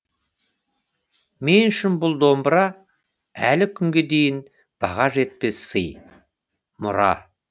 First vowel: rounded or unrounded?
unrounded